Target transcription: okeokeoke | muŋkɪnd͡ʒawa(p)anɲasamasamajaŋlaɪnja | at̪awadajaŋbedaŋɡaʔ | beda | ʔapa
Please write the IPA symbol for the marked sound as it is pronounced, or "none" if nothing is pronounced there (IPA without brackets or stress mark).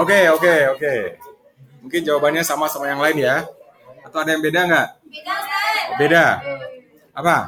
b